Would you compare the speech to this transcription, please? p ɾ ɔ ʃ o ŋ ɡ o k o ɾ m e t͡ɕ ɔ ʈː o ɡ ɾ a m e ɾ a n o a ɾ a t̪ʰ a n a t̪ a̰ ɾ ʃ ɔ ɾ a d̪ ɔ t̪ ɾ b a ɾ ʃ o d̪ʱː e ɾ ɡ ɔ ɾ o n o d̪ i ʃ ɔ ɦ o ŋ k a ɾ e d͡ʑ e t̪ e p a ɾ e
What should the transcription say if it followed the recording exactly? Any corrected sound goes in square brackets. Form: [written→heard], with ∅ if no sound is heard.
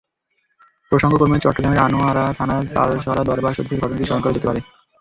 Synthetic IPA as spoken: p ɾ [ɔ→o] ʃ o ŋ ɡ o k o ɾ m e t͡ɕ ɔ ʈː o ɡ ɾ a m e ɾ a n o a ɾ a t̪ʰ a n a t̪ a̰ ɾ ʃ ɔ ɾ a d̪ ɔ [t̪→∅] ɾ b a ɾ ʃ o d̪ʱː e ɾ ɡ ɔ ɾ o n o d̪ i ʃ ɔ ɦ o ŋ k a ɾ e d͡ʑ e t̪ e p a ɾ e

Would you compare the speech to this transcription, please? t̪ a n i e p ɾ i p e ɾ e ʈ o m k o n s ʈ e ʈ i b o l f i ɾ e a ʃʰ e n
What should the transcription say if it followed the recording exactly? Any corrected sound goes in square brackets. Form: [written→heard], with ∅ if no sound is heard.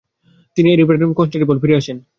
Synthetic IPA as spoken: t̪ [a→i] n i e [p→∅] ɾ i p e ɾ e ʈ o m k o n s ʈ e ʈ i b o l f i ɾ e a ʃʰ e n

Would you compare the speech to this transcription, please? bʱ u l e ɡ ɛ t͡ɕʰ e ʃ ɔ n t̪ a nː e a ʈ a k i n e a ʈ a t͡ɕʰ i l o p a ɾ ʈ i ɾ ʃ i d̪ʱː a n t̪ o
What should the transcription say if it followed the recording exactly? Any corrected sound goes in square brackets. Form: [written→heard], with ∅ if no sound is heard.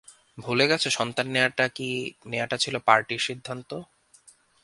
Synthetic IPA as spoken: bʱ u l e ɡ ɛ t͡ɕʰ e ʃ ɔ n t̪ a nː e a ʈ a k i n e a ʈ a t͡ɕʰ i l o p a ɾ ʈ i ɾ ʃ i d̪ʱː a n t̪ o

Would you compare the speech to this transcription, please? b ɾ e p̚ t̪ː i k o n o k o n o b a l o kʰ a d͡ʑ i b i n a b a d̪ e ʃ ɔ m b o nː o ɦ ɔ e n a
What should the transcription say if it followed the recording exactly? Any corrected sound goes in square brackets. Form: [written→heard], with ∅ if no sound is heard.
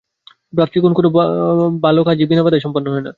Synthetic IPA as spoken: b ɾ [e→a] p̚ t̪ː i k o n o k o n o b a l o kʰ a d͡ʑ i b i n a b a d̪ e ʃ ɔ m [b→p] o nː o ɦ ɔ e n a

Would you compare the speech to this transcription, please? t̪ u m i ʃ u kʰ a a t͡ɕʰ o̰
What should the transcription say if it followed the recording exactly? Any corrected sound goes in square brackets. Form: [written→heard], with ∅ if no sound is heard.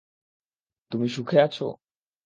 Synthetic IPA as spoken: t̪ u m i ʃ u kʰ [a→e] a t͡ɕʰ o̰

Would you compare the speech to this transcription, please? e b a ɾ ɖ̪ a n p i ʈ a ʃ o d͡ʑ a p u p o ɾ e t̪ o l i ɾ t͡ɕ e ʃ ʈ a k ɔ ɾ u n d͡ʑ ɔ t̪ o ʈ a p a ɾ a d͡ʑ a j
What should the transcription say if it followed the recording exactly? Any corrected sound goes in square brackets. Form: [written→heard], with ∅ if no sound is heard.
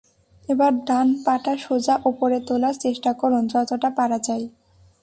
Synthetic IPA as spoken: e b a ɾ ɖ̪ a n p [i→a] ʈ a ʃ o d͡ʑ a [p→ʔ] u p o ɾ e t̪ o l [i→a] ɾ t͡ɕ e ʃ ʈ a k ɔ ɾ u n d͡ʑ ɔ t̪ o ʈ a p a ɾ a d͡ʑ a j

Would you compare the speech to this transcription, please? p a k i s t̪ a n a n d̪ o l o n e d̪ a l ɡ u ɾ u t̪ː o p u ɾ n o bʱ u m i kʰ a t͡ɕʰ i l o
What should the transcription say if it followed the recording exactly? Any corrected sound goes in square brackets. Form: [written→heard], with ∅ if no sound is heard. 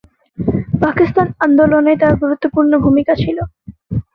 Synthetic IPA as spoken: p a k i s t̪ a n a n d̪ o l o n e [d̪→t̪] a [l→ɾ] ɡ u ɾ u t̪ː o p u ɾ n o bʱ u m i [kʰ→k] a t͡ɕʰ i l o

